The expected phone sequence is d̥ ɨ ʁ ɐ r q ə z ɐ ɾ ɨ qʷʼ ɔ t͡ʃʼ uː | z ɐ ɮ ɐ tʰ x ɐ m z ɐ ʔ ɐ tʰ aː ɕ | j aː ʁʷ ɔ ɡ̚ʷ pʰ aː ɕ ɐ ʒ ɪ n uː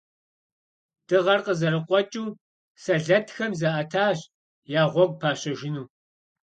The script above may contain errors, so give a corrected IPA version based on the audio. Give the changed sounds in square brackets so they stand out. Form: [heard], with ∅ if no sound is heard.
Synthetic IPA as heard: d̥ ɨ ʁ ɐ r q ə z ɐ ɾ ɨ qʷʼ ɔ t͡ʃʼ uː | [s] ɐ ɮ ɐ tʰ x ɐ m z ɐ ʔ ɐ tʰ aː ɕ | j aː ʁʷ ɔ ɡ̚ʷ pʰ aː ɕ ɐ ʒ ɪ n uː